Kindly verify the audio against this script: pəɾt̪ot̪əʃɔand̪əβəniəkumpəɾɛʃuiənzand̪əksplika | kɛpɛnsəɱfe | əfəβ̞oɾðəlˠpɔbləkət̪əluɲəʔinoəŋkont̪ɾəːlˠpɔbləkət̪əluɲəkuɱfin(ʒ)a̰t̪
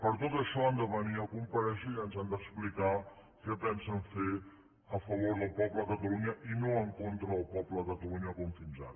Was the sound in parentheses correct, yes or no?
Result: no